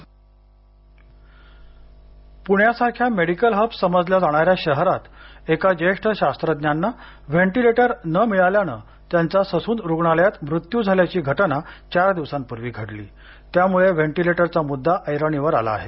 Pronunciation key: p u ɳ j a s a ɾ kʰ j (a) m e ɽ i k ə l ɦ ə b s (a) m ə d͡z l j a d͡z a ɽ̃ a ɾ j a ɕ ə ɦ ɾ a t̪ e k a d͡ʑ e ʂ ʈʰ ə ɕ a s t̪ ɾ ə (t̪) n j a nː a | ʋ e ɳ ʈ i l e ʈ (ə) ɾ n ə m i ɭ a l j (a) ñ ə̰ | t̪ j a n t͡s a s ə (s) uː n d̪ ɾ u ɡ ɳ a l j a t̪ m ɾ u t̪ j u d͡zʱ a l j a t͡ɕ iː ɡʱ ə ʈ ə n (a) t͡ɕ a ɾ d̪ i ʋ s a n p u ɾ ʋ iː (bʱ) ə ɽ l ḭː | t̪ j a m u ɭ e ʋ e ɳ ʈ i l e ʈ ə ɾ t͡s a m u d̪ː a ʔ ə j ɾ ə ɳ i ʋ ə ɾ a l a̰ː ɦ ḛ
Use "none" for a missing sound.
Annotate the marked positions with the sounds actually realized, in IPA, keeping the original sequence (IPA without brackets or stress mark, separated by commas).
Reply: a, ə, d̪, ə, a, s, a, ɡʱ